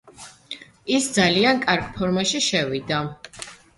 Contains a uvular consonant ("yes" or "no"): no